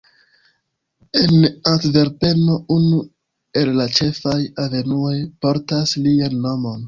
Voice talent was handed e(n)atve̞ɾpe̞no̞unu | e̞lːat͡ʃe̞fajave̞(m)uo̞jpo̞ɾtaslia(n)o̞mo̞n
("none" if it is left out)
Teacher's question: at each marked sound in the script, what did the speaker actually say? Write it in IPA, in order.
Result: n, n, nː

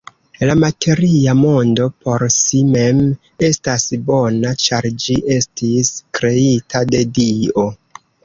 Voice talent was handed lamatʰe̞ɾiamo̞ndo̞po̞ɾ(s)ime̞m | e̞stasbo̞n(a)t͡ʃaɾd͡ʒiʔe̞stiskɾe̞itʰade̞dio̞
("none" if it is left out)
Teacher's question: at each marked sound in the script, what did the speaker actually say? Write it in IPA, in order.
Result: s, a

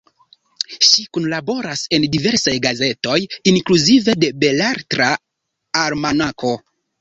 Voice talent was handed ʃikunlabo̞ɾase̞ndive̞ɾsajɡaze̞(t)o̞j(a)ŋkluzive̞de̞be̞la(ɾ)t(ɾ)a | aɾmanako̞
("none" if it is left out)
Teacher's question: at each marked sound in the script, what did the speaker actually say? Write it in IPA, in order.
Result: t, i, ɾ, ɾ

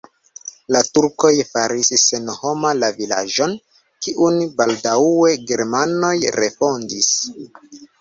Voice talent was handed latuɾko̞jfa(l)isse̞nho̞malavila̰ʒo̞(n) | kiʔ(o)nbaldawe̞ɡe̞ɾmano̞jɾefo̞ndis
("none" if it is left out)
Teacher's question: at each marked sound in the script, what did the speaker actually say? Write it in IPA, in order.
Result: ɾ, n, u

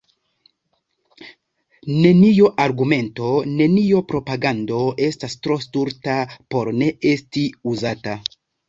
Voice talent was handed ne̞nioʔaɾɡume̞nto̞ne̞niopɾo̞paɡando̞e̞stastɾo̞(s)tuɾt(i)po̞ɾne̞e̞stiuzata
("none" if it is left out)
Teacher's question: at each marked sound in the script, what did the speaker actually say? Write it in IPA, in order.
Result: s, a

